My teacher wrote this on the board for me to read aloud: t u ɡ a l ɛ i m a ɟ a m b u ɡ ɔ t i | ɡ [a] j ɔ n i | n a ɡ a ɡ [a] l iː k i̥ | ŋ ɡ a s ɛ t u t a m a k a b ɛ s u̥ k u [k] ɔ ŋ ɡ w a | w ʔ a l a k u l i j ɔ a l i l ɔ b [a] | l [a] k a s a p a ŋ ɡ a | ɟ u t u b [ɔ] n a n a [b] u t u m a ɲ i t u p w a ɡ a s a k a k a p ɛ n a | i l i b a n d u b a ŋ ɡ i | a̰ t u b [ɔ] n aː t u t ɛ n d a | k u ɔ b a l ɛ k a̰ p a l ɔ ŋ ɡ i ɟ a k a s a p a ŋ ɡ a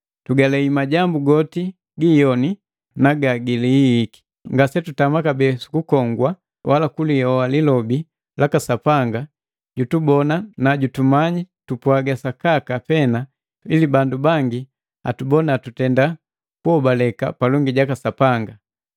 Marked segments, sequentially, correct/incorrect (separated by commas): incorrect, incorrect, correct, incorrect, correct, correct, incorrect, correct